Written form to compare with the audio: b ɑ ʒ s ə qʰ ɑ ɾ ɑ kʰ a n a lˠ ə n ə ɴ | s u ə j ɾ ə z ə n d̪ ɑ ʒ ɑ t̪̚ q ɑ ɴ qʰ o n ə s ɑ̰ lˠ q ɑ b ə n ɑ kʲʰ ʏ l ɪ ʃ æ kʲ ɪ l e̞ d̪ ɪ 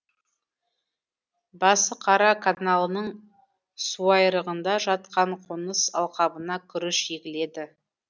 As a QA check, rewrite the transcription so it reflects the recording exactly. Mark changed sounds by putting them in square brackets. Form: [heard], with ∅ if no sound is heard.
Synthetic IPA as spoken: b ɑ [∅] s ə qʰ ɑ ɾ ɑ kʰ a n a lˠ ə n ə ɴ | s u [ɑ] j ɾ ə [ʁ] ə n d̪ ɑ ʒ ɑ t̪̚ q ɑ ɴ qʰ o n ə s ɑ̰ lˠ q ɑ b ə n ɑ kʲʰ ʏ [ɾ] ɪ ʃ [e] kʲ ɪ l e̞ d̪ ɪ